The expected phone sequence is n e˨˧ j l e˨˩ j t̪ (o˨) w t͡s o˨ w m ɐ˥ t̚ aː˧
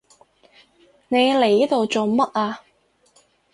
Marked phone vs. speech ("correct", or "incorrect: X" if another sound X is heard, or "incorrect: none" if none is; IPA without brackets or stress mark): correct